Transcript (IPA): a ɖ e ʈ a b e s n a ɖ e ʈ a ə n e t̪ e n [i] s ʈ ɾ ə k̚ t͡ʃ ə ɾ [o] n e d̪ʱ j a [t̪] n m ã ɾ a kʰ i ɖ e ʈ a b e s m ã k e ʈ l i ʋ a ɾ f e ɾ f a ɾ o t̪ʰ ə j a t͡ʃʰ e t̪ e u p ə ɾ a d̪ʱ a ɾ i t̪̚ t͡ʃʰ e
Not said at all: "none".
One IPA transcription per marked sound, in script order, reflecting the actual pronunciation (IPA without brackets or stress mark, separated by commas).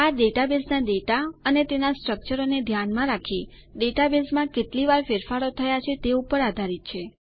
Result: a, o, none